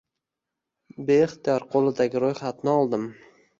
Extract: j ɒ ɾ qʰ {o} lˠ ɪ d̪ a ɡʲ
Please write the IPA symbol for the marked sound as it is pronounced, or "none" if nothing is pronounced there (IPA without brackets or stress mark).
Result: o